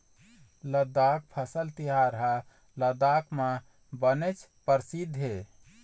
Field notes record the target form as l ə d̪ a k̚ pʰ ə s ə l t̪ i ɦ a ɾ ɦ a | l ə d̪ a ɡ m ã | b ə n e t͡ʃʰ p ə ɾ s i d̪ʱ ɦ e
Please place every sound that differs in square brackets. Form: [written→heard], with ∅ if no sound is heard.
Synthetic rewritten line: l ə d̪ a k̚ pʰ ə s ə l t̪ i ɦ a ɾ ɦ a | l ə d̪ a [ɡ→k] m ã | b ə n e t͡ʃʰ p ə ɾ s i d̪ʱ ɦ e